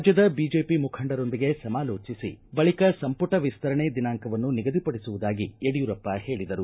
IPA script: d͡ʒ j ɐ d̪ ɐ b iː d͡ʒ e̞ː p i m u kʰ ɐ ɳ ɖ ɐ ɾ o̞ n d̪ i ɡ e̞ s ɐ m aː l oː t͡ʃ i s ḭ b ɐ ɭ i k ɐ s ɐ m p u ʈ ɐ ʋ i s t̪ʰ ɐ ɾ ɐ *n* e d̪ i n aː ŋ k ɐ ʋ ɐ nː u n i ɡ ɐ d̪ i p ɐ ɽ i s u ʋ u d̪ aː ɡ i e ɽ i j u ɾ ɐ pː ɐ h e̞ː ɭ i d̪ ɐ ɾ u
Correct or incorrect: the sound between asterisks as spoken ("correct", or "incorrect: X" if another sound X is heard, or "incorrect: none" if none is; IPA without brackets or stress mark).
incorrect: ɳ